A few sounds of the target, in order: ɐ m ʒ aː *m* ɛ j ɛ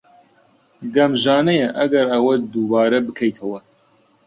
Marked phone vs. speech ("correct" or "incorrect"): incorrect